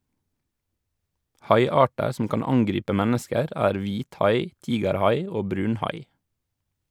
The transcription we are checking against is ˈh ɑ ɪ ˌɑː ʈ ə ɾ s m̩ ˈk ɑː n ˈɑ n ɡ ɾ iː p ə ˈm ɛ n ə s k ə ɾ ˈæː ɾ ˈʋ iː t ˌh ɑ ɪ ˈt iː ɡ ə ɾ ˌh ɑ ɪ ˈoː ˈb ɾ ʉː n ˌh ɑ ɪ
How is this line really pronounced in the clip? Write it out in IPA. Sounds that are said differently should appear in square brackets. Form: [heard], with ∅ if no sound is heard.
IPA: ˈh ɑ ɪ ˌɑː ʈ ə ɾ s m̩ ˈk ɑː n ˈɑ [ŋ] ɡ ɾ iː p ə ˈm ɛ n ə s k ə ɾ ˈæː ɾ ˈʋ iː t ˌh ɑ ɪ ˈt iː ɡ ə ɾ ˌh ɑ ɪ ˈoː ˈb ɾ ʉː n ˌh ɑ ɪ